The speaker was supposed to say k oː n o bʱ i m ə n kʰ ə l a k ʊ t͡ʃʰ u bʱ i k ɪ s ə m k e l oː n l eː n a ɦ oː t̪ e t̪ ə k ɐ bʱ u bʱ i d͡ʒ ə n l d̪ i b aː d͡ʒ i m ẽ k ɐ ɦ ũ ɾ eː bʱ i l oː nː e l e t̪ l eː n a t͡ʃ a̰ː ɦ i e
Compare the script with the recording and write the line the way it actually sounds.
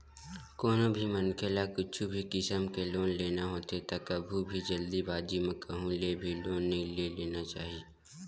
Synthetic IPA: k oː n o bʱ i m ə n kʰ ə l a k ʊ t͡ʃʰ u bʱ i k ɪ s ə m k e l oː n l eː n a ɦ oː t̪ e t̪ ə k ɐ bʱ u bʱ i d͡ʒ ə l d̪ i b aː d͡ʒ i m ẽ k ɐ ɦ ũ l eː bʱ i l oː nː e l e l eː n a t͡ʃ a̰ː ɦ i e